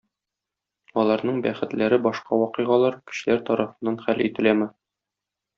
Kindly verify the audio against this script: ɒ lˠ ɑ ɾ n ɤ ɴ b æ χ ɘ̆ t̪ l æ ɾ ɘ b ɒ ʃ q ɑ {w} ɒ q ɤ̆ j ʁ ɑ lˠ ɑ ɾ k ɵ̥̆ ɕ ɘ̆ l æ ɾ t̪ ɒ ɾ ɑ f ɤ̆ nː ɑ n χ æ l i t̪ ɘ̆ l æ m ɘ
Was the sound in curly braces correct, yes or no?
yes